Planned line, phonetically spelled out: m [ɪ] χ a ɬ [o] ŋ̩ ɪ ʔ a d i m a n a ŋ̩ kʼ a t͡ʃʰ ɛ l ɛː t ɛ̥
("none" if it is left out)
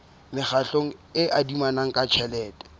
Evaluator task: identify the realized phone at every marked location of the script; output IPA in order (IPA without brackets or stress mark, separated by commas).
ɪ, o